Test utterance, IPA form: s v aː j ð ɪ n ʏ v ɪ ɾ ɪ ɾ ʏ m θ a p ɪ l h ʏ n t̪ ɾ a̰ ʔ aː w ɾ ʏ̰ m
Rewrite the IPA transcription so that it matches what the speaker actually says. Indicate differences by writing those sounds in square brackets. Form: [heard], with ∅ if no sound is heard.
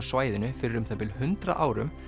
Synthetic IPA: s v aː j ð ɪ n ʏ [f] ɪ ɾ ɪ ɾ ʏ m θ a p ɪ l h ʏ n t̪ ɾ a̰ ʔ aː w ɾ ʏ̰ m